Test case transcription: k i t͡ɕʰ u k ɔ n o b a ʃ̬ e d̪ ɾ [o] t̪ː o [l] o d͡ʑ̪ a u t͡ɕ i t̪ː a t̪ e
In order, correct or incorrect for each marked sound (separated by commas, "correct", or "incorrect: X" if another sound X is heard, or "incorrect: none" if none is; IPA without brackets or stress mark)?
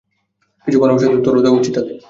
incorrect: u, incorrect: ɾ